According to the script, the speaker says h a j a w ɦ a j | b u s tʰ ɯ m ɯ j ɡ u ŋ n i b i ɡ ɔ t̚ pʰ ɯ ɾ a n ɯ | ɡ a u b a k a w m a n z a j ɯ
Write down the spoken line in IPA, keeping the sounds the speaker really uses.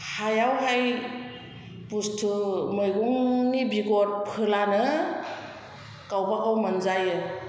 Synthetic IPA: h a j a w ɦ a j | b u s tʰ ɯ m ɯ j ɡ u ŋ n i b i ɡ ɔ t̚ pʰ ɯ l a n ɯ | k a w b a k a w m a n z a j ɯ